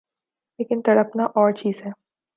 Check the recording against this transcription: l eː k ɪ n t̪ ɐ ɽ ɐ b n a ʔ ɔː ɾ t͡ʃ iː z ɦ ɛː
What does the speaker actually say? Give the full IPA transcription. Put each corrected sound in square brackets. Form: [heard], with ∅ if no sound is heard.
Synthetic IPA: l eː k ɪ n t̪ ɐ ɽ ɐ [p] n a ʔ ɔː ɾ t͡ʃ iː z ɦ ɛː